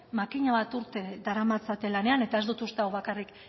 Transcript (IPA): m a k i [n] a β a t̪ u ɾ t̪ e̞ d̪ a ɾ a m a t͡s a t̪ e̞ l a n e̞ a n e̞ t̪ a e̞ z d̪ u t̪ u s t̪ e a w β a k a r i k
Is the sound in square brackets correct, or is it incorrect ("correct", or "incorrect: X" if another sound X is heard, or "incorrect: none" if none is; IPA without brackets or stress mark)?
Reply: incorrect: ɲ